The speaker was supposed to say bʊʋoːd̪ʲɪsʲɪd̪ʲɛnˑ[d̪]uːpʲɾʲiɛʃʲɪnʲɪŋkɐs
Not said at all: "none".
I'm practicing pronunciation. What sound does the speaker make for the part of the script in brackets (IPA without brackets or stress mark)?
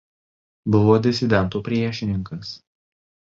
t̪